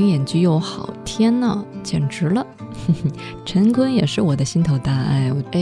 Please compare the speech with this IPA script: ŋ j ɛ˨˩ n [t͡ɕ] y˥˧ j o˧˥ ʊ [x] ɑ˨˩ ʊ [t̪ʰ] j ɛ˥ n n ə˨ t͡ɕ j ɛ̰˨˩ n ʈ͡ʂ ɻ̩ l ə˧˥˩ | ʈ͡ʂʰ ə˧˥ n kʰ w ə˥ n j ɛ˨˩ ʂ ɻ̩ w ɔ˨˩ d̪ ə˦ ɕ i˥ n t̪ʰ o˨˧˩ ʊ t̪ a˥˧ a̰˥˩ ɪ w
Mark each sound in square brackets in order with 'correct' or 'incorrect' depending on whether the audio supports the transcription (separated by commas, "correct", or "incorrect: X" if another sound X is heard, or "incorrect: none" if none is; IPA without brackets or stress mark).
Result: correct, correct, correct